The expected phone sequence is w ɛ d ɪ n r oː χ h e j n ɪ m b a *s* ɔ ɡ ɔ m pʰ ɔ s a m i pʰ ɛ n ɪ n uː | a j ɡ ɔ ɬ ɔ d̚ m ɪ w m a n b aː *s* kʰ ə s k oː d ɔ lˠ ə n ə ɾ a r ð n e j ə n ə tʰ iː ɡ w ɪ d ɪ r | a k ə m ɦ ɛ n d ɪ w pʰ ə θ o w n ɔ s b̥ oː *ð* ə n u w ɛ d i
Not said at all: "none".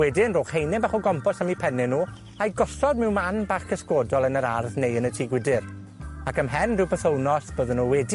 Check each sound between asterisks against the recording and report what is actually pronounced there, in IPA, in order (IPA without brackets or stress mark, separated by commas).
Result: χ, χ, ð